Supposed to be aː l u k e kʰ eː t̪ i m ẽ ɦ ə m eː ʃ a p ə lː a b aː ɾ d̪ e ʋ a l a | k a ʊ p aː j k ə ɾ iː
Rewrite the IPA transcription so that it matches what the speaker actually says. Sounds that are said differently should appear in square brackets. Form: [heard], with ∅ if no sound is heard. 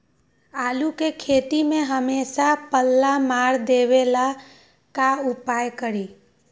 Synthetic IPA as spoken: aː l u k e kʰ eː t̪ i m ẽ ɦ ə m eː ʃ a p ə lː a [m] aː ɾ d̪ e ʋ [e] l a | k a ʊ p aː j k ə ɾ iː